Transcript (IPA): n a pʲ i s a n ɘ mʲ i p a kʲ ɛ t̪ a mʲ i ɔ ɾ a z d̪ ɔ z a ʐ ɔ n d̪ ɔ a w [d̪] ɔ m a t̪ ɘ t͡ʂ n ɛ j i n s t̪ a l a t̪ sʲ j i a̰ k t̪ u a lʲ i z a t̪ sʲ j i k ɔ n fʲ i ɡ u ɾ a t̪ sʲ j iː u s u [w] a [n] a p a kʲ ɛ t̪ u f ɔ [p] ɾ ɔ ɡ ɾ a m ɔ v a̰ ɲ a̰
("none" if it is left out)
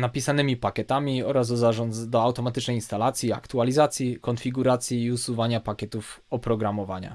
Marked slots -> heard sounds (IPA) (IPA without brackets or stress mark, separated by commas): t̪, v, ɲ, p